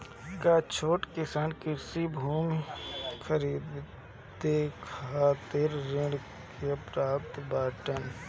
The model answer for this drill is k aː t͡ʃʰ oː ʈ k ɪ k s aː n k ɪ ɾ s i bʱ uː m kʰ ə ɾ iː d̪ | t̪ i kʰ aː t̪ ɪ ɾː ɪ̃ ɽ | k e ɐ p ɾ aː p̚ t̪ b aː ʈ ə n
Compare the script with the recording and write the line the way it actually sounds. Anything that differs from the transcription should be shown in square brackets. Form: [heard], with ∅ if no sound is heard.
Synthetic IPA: k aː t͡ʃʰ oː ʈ k ɪ [∅] s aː n k ɪ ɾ s i bʱ uː m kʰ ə ɾ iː d̪ | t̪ [e] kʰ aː t̪ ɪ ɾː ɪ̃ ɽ | k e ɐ p ɾ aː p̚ t̪ b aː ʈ ə n

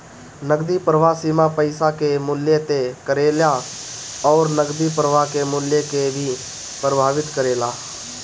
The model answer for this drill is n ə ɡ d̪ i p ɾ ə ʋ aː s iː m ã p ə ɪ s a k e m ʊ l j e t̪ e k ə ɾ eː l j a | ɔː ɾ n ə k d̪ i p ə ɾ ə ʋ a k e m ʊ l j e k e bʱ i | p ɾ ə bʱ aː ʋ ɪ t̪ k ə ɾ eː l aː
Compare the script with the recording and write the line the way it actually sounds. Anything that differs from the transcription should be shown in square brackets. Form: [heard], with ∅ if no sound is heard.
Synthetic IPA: n ə ɡ d̪ i p ɾ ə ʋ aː s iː m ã p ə ɪ s a k e m ʊ l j e t̪ e k ə ɾ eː l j a | ɔː ɾ n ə [ɡ] d̪ i p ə ɾ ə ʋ a k e m ʊ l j e k e bʱ i | p ɾ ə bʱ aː ʋ ɪ t̪ k ə ɾ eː l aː

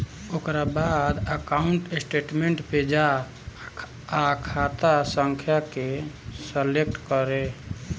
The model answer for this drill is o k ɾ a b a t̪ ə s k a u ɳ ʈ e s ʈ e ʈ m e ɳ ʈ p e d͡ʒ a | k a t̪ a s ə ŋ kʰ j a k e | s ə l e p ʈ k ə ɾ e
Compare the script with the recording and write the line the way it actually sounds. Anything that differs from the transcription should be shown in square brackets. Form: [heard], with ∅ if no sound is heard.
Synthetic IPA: o k ɾ a b a [d̪] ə [∅] k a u ɳ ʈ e s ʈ e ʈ m e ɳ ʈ p e d͡ʒ a | [kʰ] a t̪ a s ə ŋ kʰ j a k e | s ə l e [k] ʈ k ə ɾ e

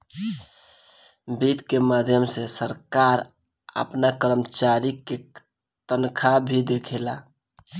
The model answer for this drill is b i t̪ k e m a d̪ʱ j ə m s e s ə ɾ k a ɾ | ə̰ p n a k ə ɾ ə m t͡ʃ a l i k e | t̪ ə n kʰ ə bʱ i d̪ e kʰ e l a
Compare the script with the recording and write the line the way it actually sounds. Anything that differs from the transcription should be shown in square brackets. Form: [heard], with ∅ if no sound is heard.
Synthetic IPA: b i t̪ k e m a d̪ʱ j ə m s e s ə ɾ k a ɾ | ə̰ p n a k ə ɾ ə m t͡ʃ a [ɾ] i k e | t̪ ə n kʰ [a] bʱ i d̪ e kʰ e l a

